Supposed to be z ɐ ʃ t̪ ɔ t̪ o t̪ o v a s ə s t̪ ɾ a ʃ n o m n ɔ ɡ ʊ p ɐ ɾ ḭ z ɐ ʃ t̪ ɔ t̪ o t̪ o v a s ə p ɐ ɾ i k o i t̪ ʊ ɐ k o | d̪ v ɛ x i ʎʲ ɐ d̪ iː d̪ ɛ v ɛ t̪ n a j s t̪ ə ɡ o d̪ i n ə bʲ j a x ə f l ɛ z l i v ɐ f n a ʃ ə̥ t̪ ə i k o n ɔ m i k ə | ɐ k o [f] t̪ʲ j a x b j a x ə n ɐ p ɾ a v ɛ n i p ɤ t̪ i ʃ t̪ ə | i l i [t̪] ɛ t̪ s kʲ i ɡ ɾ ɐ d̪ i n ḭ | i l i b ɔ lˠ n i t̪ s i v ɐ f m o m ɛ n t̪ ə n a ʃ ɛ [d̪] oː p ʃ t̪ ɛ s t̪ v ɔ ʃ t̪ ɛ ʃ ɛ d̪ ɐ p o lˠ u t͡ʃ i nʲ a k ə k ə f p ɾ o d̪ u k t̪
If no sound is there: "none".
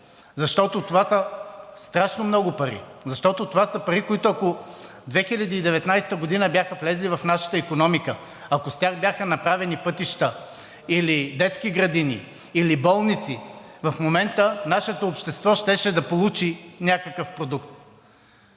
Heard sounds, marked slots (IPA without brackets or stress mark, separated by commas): s, d̪, t̪